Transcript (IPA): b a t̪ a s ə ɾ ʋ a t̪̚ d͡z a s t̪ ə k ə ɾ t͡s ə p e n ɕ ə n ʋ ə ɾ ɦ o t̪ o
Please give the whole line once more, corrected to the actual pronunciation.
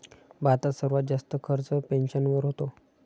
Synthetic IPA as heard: b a t̪ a s ə ɾ ʋ a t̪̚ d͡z a s t̪ ə kʰ ə ɾ t͡s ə p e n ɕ ə n ʋ ə ɾ ɦ o t̪ o